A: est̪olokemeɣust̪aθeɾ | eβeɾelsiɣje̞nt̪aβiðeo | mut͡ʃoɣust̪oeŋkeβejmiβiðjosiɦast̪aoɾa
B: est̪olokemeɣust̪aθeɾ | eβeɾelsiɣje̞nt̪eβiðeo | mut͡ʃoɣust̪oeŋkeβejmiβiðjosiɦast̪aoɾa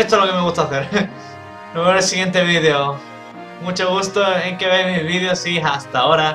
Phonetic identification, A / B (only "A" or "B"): B